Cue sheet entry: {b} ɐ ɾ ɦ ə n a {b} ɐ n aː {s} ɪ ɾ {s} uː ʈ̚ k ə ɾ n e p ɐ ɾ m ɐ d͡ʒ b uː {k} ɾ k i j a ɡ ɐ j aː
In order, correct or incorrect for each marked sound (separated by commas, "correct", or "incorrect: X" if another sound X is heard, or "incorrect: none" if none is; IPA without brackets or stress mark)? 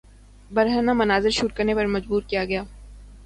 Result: correct, incorrect: m, incorrect: z, incorrect: ʃ, incorrect: none